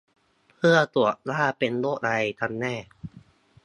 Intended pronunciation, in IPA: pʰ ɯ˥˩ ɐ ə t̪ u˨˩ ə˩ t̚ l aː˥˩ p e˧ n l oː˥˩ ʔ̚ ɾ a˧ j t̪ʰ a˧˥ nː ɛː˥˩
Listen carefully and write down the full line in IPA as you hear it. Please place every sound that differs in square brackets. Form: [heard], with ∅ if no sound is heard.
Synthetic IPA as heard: pʰ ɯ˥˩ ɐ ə t̪ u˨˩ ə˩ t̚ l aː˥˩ p e˧ n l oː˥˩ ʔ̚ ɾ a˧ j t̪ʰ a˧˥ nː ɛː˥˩